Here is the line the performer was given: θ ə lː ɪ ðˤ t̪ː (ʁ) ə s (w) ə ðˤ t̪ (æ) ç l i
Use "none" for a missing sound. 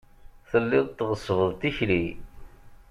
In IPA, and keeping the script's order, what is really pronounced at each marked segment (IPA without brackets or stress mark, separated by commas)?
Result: ʁ, v, i